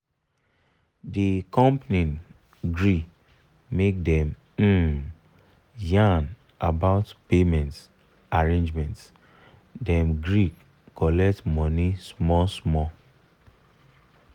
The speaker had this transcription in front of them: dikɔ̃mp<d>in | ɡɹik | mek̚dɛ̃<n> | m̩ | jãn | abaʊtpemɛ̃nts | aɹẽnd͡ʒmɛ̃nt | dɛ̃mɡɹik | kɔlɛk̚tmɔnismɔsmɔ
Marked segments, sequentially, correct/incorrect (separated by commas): incorrect, incorrect